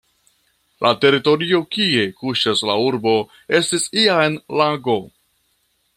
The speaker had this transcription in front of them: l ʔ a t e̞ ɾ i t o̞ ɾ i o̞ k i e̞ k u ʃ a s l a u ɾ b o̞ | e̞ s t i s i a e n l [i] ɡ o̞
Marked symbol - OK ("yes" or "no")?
no